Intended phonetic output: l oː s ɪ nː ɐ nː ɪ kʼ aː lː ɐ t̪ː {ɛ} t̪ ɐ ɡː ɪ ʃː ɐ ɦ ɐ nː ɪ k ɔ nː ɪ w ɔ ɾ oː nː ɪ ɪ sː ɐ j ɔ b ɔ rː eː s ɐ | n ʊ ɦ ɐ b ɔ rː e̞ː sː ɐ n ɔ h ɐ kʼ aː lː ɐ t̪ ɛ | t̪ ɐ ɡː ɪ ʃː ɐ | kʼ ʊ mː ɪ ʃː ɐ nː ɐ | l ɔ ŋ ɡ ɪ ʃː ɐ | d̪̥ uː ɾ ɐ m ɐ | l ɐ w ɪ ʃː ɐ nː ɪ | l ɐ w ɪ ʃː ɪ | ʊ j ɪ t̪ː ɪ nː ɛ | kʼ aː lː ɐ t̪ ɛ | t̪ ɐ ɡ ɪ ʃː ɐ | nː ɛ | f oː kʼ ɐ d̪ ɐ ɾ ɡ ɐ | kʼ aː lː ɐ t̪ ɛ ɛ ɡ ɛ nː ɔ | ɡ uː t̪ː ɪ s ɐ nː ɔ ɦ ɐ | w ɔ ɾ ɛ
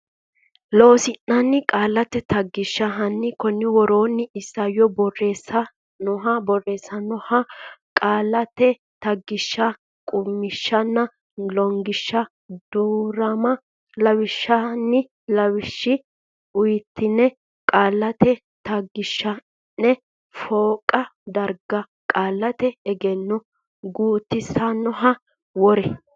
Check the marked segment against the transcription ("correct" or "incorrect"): correct